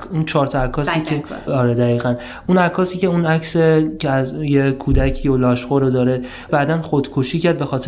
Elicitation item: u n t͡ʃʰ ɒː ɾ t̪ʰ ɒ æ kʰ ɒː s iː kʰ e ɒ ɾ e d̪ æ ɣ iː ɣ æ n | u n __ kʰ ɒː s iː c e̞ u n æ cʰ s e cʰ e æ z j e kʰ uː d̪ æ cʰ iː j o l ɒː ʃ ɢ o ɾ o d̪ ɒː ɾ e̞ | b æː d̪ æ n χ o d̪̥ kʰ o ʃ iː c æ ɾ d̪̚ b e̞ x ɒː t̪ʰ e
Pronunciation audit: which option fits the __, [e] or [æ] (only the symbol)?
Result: æ